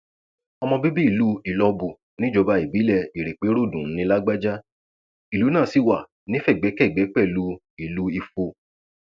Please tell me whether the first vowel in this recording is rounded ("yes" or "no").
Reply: yes